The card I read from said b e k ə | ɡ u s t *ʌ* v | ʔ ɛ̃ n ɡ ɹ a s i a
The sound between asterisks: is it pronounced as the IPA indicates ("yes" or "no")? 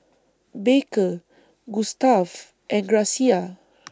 no